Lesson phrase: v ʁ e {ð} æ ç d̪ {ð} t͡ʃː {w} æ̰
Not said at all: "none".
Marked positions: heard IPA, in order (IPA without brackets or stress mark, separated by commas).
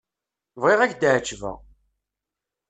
ʁ, ʕ, v